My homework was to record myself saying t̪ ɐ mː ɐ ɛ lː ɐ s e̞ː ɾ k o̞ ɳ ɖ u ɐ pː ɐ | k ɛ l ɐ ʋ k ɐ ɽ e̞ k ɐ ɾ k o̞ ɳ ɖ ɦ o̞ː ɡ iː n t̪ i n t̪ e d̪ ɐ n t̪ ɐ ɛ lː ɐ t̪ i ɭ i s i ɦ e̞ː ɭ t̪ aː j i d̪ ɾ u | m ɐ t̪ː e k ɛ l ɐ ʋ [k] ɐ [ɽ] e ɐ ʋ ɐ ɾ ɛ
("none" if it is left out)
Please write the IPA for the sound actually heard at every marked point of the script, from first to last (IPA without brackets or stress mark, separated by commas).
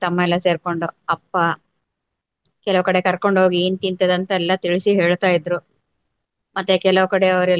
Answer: k, ɽ